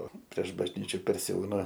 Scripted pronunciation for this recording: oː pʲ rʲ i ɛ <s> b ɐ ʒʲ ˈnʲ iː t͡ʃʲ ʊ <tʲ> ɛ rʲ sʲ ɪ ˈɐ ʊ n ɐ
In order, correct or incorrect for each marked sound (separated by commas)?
incorrect, incorrect